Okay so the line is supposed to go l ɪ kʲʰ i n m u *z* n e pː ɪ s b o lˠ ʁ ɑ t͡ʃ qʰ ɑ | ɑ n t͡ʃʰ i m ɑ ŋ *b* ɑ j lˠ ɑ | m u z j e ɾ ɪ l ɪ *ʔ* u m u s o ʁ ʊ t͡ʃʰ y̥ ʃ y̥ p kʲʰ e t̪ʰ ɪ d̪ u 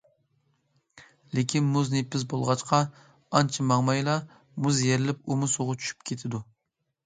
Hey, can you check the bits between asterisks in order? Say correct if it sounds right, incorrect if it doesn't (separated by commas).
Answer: correct, incorrect, incorrect